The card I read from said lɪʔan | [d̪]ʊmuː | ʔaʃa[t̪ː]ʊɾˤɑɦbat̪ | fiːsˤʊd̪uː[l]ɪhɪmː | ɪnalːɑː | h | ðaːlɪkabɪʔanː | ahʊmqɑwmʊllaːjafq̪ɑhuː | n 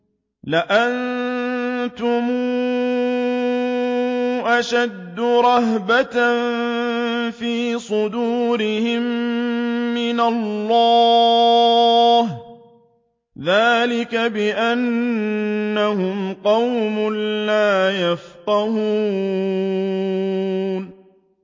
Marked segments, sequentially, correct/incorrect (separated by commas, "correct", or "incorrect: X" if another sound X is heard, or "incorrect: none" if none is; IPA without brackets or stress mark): incorrect: t̪, incorrect: d̪ː, incorrect: ɾ